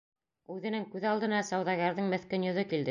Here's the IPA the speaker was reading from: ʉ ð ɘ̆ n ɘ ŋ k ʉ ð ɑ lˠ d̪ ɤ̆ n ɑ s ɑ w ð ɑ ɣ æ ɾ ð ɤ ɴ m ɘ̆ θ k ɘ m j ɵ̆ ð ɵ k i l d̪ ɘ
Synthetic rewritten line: ʉ ð ɘ̆ n ɘ ŋ k ʉ ð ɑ lˠ d̪ ɤ̆ n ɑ s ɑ w ð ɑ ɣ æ ɾ ð ɤ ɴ m ɘ̆ θ k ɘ n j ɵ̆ ð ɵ k i l d̪ ɘ